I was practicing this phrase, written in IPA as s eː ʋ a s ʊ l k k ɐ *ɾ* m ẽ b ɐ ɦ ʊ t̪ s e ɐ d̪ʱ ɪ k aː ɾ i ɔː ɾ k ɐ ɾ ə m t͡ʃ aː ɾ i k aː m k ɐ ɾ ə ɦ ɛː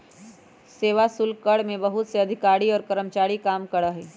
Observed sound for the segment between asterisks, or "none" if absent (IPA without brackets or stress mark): ɽ